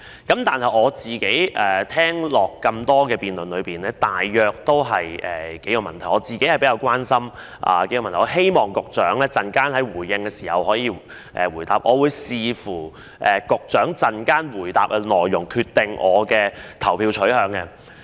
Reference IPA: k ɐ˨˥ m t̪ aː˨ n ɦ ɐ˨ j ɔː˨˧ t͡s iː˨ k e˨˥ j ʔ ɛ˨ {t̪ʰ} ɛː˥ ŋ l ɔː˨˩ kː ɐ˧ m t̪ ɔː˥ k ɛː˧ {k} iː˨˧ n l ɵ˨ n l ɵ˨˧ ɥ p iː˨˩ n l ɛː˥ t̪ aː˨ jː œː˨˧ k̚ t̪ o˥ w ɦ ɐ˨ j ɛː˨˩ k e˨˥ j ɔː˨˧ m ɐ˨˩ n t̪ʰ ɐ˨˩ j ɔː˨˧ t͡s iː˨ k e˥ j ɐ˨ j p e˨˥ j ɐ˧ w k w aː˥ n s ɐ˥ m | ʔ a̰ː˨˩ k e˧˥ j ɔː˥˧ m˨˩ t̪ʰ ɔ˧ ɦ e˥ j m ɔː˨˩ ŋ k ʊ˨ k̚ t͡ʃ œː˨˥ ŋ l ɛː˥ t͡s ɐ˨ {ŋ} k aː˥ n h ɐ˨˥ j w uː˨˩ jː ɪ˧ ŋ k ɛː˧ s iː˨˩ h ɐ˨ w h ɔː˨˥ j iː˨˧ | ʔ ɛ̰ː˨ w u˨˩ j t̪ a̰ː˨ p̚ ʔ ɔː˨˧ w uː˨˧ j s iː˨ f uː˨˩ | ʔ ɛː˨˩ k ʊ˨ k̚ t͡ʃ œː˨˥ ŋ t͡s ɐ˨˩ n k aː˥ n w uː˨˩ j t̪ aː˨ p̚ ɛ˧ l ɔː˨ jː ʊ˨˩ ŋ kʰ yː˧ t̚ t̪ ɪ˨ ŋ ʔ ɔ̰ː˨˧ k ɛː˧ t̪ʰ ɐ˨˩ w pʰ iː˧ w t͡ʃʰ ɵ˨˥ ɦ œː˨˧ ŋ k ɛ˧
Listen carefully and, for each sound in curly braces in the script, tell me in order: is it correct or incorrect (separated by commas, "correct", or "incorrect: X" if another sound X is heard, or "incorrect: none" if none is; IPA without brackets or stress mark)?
correct, incorrect: p, incorrect: n